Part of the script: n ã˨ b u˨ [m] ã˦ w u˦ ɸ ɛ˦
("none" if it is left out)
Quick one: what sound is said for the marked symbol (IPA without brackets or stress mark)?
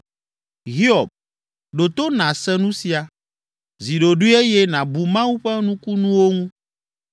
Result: m